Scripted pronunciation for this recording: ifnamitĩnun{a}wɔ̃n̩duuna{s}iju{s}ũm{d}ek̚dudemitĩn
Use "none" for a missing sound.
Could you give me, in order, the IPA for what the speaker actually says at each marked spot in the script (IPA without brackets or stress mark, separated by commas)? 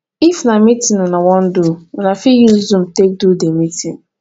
a, f, z, t